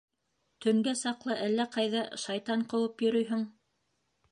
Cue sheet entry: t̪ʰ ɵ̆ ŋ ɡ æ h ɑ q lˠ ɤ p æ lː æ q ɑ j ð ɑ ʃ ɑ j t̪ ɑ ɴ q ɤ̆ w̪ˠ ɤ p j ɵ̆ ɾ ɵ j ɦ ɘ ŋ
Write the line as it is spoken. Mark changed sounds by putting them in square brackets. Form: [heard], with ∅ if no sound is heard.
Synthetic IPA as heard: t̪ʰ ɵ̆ ŋ ɡ æ [s] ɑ q lˠ ɤ [ʔ] æ lː æ q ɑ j ð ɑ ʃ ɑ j t̪ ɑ ɴ q ɤ̆ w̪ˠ ɤ p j ɵ̆ ɾ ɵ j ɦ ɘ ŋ